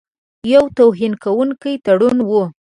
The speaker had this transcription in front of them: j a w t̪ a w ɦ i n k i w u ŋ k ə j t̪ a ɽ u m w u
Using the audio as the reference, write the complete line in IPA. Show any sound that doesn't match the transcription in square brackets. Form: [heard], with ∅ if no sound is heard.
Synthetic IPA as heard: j a w t̪ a w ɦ i n k [a] w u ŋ k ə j t̪ a ɽ u [n] w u